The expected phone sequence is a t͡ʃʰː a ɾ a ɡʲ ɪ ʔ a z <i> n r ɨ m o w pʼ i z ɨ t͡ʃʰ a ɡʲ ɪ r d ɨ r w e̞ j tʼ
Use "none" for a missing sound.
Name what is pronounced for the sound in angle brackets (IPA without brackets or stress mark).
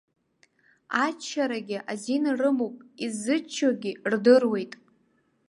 i